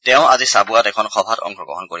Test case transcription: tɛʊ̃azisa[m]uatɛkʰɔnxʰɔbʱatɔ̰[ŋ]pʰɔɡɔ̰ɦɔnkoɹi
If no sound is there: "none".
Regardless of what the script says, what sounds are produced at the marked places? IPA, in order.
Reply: b, ŋ

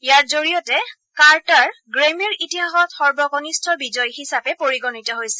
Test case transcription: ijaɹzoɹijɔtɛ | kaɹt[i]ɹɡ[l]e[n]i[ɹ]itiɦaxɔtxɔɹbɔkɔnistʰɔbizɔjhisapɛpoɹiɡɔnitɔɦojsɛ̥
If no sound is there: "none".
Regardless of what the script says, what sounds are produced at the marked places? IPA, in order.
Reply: a, ɹ, m, ɹ

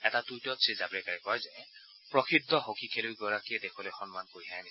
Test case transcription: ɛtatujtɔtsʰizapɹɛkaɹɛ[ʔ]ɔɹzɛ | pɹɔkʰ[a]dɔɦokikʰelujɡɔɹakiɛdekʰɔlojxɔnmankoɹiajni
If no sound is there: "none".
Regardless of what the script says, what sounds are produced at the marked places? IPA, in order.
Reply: k, i

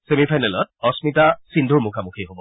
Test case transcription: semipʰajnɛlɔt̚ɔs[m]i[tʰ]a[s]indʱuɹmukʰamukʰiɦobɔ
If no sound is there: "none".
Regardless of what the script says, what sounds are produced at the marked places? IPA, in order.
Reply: m, t, s

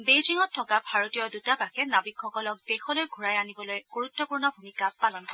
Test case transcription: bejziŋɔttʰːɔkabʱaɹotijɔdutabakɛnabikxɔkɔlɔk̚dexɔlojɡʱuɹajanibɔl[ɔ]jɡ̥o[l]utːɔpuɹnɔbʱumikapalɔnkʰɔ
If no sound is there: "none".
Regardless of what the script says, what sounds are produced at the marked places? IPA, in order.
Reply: o, ɹ

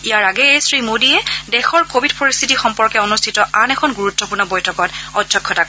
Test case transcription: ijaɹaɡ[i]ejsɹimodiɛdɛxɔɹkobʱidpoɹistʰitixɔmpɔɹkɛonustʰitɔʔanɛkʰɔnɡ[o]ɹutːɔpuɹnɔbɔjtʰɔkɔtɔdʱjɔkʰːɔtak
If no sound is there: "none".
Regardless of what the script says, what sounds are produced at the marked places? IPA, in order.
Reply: ɛ, u

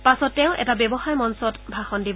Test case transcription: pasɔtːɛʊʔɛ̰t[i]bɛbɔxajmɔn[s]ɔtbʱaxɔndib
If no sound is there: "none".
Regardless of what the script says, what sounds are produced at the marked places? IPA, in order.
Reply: a, s

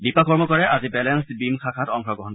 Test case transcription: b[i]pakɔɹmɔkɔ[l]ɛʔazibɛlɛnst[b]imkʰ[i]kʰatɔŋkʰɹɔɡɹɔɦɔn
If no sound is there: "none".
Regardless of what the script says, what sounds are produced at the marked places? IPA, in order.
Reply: i, ɹ, b, a

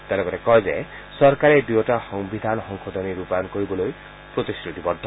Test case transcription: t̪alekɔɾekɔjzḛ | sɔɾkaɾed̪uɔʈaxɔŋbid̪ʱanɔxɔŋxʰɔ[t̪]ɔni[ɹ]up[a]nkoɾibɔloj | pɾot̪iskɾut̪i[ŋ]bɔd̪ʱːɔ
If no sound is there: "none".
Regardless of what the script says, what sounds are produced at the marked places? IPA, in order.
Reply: d̪, ɾ, a, none

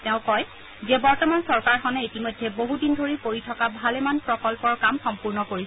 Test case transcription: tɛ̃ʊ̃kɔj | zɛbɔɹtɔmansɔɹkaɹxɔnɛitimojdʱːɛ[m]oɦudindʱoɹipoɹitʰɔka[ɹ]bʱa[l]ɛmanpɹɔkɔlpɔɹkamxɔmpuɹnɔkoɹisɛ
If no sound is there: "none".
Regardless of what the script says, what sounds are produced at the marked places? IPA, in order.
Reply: b, none, l

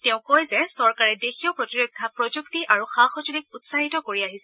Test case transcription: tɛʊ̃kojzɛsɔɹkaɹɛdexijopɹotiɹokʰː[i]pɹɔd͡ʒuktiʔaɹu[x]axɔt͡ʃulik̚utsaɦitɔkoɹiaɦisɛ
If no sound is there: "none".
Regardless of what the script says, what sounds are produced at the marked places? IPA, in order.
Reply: a, x

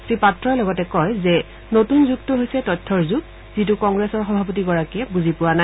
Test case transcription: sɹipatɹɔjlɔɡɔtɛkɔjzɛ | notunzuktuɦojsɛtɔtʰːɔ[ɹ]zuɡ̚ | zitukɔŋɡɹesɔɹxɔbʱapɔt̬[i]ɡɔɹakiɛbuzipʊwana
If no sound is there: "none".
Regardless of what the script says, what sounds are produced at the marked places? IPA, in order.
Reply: ɹ, i

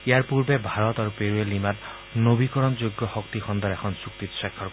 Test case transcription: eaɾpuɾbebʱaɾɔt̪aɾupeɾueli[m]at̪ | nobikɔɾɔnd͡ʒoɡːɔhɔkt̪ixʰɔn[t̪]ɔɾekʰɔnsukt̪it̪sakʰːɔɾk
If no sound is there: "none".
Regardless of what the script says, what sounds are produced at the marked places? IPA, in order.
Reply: m, d̪

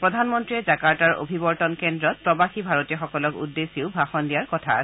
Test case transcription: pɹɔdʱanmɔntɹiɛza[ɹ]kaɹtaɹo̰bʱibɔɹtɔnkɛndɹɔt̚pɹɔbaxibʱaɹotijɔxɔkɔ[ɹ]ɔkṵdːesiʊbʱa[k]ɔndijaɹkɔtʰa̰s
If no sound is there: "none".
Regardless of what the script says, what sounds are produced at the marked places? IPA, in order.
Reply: none, l, x

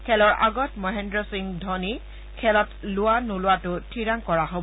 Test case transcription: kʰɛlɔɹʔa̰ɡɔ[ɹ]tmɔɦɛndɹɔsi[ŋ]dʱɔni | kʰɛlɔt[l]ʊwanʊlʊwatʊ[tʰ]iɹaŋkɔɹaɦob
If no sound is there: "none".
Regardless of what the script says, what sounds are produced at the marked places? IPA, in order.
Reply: none, ŋ, l, tʰ

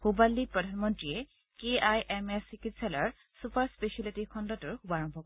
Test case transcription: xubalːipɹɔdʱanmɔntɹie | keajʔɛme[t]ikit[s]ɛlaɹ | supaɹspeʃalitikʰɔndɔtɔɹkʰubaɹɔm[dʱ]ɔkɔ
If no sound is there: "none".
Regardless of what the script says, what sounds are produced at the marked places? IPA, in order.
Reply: s, s, bʱ

